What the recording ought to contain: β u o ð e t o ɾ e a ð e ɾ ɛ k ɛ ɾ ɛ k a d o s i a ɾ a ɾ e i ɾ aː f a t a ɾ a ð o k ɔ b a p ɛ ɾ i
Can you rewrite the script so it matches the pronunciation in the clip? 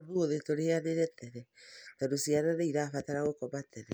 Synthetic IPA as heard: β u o ð e t o ɾ e a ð e ɾ ɛ t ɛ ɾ ɛ t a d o s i a ɾ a ɾ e i ɾ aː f a t a ɾ a ɣ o k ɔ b a t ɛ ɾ ɛ

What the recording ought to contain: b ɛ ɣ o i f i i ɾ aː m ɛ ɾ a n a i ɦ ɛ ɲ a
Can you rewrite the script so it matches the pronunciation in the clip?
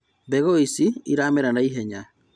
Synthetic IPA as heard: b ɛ ɣ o i s i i ɾ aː m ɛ ɾ a n a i ɦ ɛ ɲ a

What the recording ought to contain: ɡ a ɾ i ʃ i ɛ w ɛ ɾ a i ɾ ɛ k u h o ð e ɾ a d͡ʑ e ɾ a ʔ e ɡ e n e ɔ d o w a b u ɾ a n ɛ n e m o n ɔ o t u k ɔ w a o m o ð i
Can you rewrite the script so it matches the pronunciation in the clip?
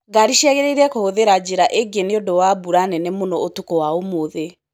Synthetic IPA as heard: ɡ a ɾ i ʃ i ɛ ɣ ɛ ɾ e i ɾ ɛ k o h o ð e ɾ a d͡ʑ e ɾ a ʔ e ɡ e n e o d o w a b u ɾ a n ɛ n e m o n ɔ o t u k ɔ w a o m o ð e

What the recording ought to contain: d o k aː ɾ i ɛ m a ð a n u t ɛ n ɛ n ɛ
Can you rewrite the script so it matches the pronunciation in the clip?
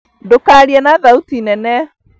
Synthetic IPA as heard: d o k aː ɾ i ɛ n a ð a u t i n ɛ n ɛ

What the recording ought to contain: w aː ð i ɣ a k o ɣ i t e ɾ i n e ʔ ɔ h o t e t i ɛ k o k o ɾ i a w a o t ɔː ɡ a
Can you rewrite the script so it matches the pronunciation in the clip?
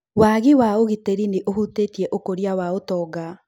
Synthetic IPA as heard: w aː ɣ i w a o ɣ i t e ɾ i n e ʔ o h u t e t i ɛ ʔ o k o ɾ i a w a o t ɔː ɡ a

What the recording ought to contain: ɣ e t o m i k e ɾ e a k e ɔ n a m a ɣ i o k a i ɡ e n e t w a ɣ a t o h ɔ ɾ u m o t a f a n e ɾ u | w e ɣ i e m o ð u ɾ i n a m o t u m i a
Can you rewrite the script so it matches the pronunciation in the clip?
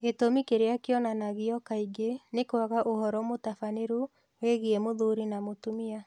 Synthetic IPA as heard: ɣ e t o m i k e ɾ e a k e ɔ n a n a ɣ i ɔ k a i ɡ e n e k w a ɣ a ʔ o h ɔ ɾ ɔ m o t a f a n e ɾ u | w e ɣ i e m o ð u ɾ i n a m o t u m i a

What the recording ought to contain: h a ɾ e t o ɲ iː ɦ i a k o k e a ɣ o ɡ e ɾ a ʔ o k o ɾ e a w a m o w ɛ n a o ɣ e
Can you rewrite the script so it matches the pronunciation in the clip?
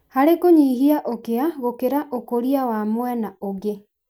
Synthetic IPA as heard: h a ɾ e k o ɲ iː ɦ i a ʔ o k e a ɣ o k e ɾ a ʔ o k o ɾ i a w a m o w ɛ n a o ɣ e

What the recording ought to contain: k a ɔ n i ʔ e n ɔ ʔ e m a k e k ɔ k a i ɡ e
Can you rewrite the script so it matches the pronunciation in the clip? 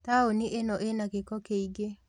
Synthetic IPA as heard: t a o n i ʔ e n ɔ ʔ e n a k e k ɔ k e i ɡ e

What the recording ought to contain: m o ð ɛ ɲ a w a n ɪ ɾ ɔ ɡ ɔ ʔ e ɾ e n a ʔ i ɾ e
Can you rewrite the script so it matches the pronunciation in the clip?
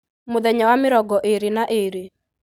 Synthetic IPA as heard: m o ð ɛ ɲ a w a m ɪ ɾ ɔ ɡ ɔ ʔ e ɾ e n a ʔ e ɾ e

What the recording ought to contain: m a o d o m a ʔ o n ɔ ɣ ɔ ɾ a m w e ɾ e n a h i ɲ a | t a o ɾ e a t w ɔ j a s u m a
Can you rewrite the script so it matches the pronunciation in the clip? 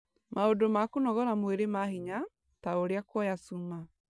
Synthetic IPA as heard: m a o d o m a k o n ɔ ɣ ɔ ɾ a m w e ɾ e m a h i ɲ a | t a o ɾ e a k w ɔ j a s u m a

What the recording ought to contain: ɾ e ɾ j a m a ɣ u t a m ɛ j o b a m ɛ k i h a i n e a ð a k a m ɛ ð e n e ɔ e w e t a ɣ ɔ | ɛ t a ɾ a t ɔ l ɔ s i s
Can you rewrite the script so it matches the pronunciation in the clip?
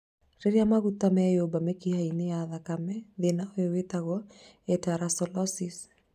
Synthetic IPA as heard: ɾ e ɾ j a m a ɣ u t a m ɛ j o b a m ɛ k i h a i n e a ð a k a m ɛ ð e n a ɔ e w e t a ɣ ɔ | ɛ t a ɾ a s ɔ l ɔ s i s

